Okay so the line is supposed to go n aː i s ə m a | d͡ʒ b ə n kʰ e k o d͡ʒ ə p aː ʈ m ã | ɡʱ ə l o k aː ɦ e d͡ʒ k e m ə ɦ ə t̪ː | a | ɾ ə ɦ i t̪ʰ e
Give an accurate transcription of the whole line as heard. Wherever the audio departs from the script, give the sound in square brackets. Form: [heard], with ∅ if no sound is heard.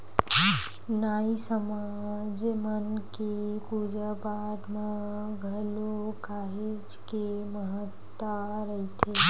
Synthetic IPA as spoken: n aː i s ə m a | d͡ʒ [m] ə n [k] e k [u] d͡ʒ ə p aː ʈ m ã | ɡʱ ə l o k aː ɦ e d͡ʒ k e m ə ɦ ə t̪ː | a | ɾ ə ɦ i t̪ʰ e

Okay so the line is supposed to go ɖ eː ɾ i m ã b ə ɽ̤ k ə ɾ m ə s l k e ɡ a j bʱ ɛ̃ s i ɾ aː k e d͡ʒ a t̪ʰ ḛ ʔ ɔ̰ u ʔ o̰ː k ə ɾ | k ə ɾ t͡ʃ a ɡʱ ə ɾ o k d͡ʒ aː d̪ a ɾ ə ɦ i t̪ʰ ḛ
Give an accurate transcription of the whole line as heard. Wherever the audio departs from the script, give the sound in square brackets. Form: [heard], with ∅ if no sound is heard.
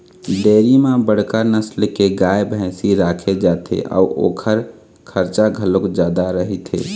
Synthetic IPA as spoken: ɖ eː ɾ i m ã b ə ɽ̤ k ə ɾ [n] ə s l k e ɡ a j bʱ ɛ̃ s i ɾ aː [kʰ] e d͡ʒ a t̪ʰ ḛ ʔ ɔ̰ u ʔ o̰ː [kʰ] ə ɾ | [kʰ] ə ɾ t͡ʃ a ɡʱ ə [l] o k d͡ʒ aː d̪ a ɾ ə ɦ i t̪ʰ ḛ

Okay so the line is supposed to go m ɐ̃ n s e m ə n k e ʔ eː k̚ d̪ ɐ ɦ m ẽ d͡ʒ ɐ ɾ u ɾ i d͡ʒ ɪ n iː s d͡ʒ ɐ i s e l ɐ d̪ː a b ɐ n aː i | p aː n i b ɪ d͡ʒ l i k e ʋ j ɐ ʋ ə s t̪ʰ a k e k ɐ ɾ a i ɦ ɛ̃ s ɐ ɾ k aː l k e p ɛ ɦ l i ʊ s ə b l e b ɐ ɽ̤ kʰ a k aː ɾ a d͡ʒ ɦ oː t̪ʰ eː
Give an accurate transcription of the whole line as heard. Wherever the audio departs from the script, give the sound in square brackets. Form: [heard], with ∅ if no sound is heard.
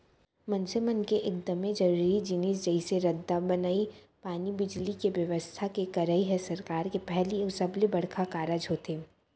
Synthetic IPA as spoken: m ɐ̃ n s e m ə n k e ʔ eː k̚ d̪ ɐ [∅] m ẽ d͡ʒ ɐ ɾ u ɾ i d͡ʒ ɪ n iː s d͡ʒ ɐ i s e [ɾ] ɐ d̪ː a b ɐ n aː i | p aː n i b ɪ d͡ʒ l i k e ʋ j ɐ ʋ ə s t̪ʰ a k e k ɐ ɾ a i ɦ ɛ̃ s ɐ ɾ k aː [ɾ] k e p ɛ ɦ l i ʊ s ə b l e b ɐ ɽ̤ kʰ a k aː ɾ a d͡ʒ ɦ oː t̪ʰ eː

